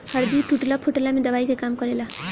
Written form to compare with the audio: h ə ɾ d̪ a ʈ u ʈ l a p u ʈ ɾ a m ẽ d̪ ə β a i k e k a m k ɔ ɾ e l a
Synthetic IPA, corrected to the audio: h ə ɾ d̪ i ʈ u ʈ l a pʰ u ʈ l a m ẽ d̪ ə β a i k e k a m k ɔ ɾ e l a